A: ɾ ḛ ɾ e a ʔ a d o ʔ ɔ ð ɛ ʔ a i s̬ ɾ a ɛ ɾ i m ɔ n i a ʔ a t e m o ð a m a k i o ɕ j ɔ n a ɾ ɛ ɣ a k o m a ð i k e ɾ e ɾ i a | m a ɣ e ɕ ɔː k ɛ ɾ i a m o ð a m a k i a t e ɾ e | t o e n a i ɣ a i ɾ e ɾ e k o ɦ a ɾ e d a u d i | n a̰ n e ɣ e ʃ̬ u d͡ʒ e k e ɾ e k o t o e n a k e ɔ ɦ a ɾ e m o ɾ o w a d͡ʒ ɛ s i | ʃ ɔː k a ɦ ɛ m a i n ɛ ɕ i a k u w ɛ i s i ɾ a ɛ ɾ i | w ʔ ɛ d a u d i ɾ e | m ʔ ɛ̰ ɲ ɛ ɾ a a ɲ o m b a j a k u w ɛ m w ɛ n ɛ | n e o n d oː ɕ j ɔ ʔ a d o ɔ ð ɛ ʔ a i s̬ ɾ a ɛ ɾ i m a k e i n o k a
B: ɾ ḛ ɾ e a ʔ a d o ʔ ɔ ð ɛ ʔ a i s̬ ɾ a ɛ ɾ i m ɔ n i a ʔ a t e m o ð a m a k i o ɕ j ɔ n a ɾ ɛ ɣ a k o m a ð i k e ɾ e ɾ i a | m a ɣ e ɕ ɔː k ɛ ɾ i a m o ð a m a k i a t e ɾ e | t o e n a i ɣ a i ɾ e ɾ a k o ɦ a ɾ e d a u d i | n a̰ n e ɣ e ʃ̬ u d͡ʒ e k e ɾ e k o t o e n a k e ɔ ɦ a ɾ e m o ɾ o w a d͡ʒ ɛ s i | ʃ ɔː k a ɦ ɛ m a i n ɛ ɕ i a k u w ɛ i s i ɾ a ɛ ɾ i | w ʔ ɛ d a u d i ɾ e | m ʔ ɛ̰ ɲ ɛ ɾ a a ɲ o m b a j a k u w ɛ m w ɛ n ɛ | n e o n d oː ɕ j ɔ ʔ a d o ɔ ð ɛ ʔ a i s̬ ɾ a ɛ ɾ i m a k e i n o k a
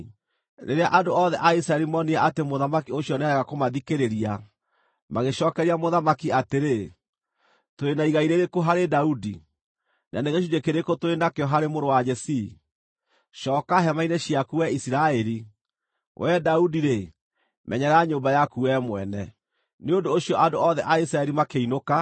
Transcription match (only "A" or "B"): A